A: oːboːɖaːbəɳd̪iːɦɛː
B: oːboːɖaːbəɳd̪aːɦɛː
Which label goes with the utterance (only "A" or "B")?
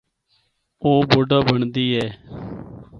A